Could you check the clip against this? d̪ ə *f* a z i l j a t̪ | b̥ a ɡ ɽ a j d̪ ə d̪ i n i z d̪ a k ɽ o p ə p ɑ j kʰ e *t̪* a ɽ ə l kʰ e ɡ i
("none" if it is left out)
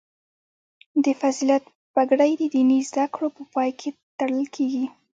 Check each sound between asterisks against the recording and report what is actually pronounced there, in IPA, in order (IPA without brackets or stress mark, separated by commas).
f, t̪